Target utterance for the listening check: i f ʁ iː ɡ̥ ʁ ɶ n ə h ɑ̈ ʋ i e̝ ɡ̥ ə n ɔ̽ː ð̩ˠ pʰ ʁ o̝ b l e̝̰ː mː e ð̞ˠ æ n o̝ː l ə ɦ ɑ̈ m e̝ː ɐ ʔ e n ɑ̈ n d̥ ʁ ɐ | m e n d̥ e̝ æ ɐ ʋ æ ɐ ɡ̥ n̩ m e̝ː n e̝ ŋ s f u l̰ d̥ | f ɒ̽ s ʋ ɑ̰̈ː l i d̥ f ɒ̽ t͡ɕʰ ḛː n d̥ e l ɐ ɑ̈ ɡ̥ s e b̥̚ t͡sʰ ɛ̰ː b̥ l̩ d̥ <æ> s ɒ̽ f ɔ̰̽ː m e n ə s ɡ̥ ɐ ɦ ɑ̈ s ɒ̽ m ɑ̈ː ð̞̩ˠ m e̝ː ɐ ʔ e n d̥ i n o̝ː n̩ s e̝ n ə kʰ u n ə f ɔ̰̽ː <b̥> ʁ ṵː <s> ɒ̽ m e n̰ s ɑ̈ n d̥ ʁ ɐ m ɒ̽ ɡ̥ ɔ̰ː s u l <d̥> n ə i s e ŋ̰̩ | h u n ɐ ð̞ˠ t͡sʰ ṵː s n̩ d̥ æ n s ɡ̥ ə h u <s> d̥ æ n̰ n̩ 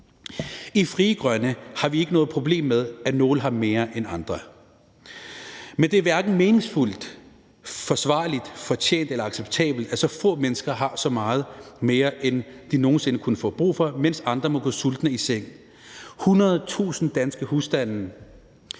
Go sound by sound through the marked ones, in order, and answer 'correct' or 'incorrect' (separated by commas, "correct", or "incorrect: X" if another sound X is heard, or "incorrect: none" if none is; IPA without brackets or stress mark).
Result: correct, correct, incorrect: f, correct, correct